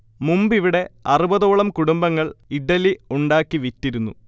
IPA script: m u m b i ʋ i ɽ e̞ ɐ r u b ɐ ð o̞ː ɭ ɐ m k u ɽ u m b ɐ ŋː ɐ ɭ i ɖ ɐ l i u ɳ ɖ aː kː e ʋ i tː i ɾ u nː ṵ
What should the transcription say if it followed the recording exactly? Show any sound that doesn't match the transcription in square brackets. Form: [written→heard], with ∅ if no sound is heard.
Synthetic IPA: m u m b i ʋ i ɽ e̞ ɐ r u b ɐ ð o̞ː ɭ ɐ m k u ɽ u m b ɐ ŋː ɐ ɭ i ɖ ɐ l i u ɳ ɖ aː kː [e→i] ʋ i tː i ɾ u nː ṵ

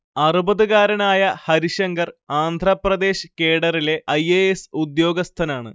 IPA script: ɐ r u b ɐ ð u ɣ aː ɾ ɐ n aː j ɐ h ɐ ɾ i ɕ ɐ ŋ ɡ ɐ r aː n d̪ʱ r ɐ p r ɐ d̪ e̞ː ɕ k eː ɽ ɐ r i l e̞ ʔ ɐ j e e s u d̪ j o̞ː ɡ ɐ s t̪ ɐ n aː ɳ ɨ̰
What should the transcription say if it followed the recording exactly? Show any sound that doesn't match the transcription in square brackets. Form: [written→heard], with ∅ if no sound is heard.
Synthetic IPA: ɐ r u b ɐ ð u ɣ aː ɾ ɐ n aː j ɐ h ɐ ɾ i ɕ ɐ ŋ ɡ ɐ r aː n d̪ʱ r ɐ p r ɐ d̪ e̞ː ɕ k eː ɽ ɐ r i l e̞ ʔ ɐ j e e s u d̪ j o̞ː ɡ ɐ s [t̪→t̪ʰ] ɐ n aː ɳ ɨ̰

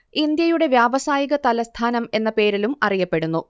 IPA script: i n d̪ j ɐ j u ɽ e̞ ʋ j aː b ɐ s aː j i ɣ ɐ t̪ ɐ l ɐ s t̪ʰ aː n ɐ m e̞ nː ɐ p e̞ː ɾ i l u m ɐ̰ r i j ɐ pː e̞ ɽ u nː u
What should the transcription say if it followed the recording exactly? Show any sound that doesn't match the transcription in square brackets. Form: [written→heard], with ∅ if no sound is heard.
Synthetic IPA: i n d̪ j ɐ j u ɽ e̞ ʋ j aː b ɐ s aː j i ɣ ɐ t̪ ɐ l ɐ s t̪ʰ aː n ɐ m e̞ nː ɐ p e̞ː ɾ i l u m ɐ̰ r i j ɐ pː e̞ ɽ u nː u

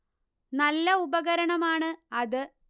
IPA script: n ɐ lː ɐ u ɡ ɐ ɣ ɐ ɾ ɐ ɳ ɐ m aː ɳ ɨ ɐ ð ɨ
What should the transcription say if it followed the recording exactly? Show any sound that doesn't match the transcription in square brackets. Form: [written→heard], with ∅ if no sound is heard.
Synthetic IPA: n ɐ lː ɐ u [ɡ→b] ɐ ɣ ɐ ɾ ɐ ɳ ɐ m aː ɳ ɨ ɐ ð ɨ

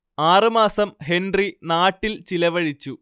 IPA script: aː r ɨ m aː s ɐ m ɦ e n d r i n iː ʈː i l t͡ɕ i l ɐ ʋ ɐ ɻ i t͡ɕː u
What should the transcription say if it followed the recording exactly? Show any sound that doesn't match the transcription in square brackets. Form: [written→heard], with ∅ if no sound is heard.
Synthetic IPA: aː r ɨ m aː s ɐ m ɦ e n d r i n [iː→aː] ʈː i l t͡ɕ i l ɐ ʋ ɐ ɻ i t͡ɕː u

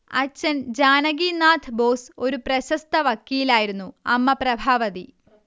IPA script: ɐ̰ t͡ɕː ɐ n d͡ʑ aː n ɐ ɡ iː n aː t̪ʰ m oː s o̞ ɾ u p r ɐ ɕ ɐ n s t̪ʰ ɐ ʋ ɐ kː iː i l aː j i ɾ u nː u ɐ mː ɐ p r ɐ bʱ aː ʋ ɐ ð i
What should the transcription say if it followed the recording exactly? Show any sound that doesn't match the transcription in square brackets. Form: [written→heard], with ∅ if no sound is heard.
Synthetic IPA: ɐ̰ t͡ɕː ɐ n d͡ʑ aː n ɐ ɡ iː n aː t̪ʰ [m→b] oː s o̞ ɾ u p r ɐ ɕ ɐ [n→∅] s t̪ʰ ɐ ʋ ɐ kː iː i l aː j i ɾ u nː u ɐ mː ɐ p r ɐ bʱ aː ʋ ɐ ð i

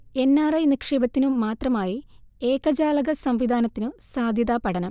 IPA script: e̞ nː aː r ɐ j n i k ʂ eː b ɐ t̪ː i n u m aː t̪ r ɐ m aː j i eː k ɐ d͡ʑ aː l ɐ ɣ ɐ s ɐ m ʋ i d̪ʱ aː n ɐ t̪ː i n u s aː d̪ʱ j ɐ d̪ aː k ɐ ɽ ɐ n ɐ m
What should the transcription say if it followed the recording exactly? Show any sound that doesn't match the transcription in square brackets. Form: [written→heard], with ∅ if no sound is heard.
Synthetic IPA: e̞ nː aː r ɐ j n i k ʂ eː b ɐ t̪ː i n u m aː t̪ r ɐ m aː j i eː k ɐ d͡ʑ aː l ɐ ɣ ɐ s ɐ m ʋ i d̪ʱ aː n ɐ t̪ː i n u s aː d̪ʱ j ɐ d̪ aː [k→p] ɐ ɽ ɐ n ɐ m

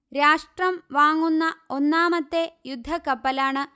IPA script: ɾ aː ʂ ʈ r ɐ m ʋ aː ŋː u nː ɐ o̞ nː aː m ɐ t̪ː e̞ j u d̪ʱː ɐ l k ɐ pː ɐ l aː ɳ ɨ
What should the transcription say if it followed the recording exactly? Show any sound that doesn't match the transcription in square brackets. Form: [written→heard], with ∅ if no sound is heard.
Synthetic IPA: ɾ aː ʂ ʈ r ɐ m ʋ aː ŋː u nː ɐ o̞ nː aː m ɐ t̪ː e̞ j u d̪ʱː ɐ [l→∅] k ɐ pː ɐ l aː ɳ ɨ

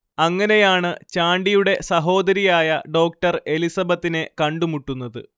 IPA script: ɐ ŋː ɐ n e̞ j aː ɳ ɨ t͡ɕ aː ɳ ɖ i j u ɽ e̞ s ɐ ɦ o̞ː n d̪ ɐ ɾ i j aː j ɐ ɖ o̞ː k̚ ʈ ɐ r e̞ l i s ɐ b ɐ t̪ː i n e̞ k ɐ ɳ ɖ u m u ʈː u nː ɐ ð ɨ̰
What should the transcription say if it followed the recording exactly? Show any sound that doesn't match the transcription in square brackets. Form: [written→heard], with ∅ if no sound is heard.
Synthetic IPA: ɐ ŋː ɐ n e̞ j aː ɳ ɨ t͡ɕ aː ɳ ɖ i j u ɽ e̞ s ɐ ɦ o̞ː [n→∅] d̪ ɐ ɾ i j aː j ɐ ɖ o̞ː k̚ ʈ ɐ r e̞ l i s ɐ b ɐ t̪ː i n e̞ k ɐ ɳ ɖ u m u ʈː u nː ɐ ð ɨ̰

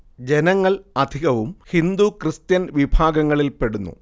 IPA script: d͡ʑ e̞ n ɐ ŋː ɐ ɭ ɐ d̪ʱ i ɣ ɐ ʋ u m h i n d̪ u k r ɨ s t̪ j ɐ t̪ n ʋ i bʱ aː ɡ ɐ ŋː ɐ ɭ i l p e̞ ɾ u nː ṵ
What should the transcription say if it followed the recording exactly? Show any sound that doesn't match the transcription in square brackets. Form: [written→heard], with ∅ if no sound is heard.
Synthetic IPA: d͡ʑ e̞ n ɐ ŋː ɐ ɭ ɐ d̪ʱ i ɣ ɐ ʋ u m h i n d̪ u k r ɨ s t̪ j ɐ [t̪→∅] n ʋ i bʱ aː ɡ ɐ ŋː ɐ ɭ i l p e̞ [ɾ→ɽ] u nː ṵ

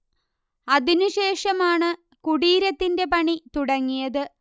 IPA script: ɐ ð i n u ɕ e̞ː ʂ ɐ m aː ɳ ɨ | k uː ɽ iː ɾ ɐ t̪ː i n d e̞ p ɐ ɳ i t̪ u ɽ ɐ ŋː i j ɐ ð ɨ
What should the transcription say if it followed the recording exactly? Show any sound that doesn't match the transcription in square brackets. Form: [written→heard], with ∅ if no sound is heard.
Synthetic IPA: ɐ ð i n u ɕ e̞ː ʂ ɐ m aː ɳ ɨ | k [uː→u] ɽ iː ɾ ɐ t̪ː i n d e̞ p ɐ ɳ i t̪ u ɽ ɐ ŋː i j ɐ ð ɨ

